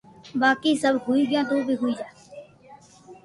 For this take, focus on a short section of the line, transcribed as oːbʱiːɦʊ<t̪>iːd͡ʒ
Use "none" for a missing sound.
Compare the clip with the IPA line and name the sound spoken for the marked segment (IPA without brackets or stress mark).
none